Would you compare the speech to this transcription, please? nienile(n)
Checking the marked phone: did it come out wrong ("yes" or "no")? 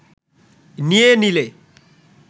yes